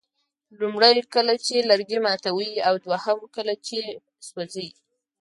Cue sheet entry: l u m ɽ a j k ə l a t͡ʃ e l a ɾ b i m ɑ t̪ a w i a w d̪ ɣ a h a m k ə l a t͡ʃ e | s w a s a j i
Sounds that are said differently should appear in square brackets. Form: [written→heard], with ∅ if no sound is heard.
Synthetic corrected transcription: l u m ɽ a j k ə l a t͡ʃ e l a ɾ [b→ɡ] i m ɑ t̪ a w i a w d̪ [ɣ→w] a h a m k ə l a t͡ʃ e | s w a [s→z] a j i